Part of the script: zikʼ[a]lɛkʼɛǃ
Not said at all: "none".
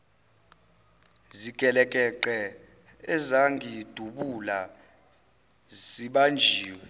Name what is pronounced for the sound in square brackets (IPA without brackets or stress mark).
ɛ